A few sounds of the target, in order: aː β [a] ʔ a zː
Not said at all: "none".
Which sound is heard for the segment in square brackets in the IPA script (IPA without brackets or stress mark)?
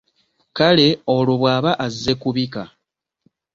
a